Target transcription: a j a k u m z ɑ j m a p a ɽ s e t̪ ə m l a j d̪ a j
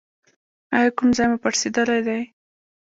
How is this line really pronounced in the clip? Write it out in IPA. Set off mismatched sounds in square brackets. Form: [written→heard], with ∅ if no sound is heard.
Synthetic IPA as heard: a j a k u m z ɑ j m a p a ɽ s e [t̪→d̪] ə [m→∅] l a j d̪ a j